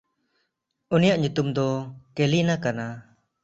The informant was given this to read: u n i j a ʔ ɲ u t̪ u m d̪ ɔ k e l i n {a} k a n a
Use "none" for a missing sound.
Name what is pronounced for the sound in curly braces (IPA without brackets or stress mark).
a